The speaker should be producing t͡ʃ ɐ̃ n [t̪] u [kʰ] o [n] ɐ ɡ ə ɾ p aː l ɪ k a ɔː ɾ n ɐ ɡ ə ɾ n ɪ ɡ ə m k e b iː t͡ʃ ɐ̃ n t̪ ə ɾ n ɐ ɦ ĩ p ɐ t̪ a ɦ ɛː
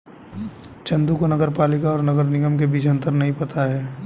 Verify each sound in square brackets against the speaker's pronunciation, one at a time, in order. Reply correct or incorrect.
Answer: incorrect: d̪, incorrect: k, correct

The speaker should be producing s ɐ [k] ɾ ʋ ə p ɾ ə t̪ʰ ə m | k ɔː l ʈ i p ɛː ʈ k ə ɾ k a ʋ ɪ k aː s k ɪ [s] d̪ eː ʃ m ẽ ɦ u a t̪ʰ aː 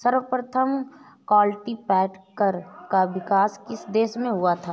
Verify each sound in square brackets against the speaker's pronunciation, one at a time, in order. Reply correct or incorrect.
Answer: incorrect: none, correct

